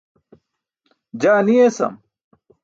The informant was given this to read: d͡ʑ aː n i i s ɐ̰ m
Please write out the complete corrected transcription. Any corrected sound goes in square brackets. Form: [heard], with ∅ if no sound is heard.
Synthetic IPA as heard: d͡ʑ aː n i [e] s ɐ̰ m